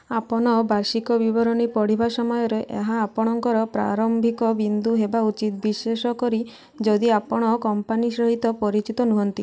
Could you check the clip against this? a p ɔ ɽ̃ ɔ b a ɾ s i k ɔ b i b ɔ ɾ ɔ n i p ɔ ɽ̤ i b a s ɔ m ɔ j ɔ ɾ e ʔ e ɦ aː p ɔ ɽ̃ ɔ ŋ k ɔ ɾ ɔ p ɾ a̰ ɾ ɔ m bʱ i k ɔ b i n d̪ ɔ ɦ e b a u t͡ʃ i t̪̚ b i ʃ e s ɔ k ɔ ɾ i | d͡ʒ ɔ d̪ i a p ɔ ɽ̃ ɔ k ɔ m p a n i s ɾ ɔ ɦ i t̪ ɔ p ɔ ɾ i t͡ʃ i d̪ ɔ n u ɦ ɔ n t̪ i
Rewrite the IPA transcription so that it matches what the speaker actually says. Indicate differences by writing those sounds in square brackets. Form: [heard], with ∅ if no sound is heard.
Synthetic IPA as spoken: a p ɔ ɽ̃ ɔ b a ɾ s i k ɔ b i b ɔ ɾ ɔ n i p ɔ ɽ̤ i b a s ɔ m ɔ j ɔ ɾ e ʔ e ɦ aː p ɔ ɽ̃ ɔ ŋ k ɔ ɾ ɔ p ɾ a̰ ɾ ɔ m bʱ i k ɔ b i n d̪ [u] ɦ e b a u t͡ʃ i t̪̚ b i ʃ e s ɔ k ɔ ɾ i | d͡ʒ ɔ d̪ i a p ɔ ɽ̃ ɔ k ɔ m p a n i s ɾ ɔ ɦ i t̪ ɔ p ɔ ɾ i t͡ʃ i [t̪] ɔ n u ɦ ɔ n t̪ i